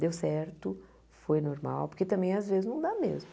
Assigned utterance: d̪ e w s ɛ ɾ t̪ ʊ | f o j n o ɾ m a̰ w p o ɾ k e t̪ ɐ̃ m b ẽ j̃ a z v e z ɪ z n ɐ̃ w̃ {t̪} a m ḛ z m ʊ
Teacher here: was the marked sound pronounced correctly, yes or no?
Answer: no